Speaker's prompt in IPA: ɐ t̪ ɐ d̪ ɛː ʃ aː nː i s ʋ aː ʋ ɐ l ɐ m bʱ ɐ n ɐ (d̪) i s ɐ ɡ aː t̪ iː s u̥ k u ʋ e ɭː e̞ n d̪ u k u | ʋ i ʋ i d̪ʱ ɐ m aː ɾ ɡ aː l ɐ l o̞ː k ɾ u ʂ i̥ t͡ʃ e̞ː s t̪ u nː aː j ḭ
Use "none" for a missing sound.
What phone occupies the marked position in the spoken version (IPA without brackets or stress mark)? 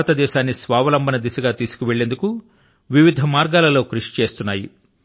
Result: d̪